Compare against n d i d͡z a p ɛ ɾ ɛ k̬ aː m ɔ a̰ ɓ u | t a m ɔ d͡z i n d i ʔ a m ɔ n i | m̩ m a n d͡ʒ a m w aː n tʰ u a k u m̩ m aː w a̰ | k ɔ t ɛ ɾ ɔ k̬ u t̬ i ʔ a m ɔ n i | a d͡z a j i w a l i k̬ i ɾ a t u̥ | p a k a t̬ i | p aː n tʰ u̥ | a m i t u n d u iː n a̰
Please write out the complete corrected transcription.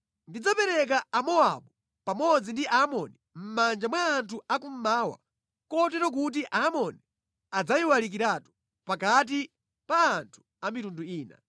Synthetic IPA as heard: n d i d͡z a p ɛ ɾ ɛ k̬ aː m ɔ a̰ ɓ u | p a m ɔ d͡z i n d i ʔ a m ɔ n i | m̩ m a n d͡ʒ a m w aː n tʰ u a k u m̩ m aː w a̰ | k ɔ t ɛ ɾ ɔ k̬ u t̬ i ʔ a m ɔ n i | a d͡z a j i w a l i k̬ i ɾ a t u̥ | p a k a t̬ i | p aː n tʰ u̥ | a m i t u n d u iː n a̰